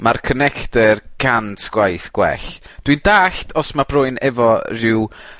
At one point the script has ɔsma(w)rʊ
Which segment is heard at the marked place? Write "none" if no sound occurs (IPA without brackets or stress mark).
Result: b